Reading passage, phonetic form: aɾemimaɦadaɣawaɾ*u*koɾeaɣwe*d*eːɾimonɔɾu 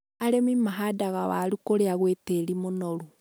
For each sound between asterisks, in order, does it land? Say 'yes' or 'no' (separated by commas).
yes, no